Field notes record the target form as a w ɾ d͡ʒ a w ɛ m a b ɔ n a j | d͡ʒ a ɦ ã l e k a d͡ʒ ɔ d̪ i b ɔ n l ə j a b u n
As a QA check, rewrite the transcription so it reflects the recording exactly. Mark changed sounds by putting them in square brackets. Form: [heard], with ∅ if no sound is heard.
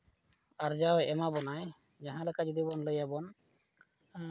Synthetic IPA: a [∅] ɾ d͡ʒ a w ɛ m a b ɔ n a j | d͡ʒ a ɦ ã l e k a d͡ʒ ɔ d̪ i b ɔ n l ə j a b [ɔ] n

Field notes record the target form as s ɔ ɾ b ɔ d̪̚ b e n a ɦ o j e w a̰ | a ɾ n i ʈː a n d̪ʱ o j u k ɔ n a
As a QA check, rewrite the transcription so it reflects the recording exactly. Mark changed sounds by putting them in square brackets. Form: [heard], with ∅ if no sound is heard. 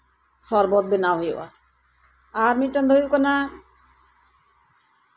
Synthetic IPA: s ɔ ɾ b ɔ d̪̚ b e n a ɦ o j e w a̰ | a ɾ [m] i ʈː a n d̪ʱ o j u k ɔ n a

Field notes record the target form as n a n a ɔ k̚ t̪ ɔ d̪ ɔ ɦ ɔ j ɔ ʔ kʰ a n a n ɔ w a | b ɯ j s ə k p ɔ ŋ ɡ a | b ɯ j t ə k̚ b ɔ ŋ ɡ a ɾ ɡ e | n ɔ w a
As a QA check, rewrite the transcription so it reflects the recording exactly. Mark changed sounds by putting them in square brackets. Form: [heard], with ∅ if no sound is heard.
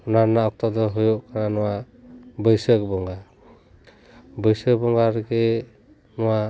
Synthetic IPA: n a n a ɔ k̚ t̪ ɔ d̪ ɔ ɦ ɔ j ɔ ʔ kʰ a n a n ɔ w a | b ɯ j s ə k [b] ɔ ŋ ɡ a | b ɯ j [s] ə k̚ b ɔ ŋ ɡ a ɾ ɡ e | n ɔ w a

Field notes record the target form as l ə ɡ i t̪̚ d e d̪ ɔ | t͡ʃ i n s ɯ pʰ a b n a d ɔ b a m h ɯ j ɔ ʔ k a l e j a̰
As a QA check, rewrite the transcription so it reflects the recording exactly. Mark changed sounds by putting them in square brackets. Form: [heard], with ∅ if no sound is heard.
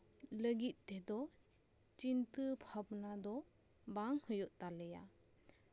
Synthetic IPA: l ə ɡ i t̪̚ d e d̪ ɔ | t͡ʃ i n [t] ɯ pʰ a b n a d ɔ b a [ŋ] h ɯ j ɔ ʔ [t] a l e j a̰

